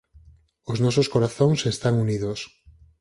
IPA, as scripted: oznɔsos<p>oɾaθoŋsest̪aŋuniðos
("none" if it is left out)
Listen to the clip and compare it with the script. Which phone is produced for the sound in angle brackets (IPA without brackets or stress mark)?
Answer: k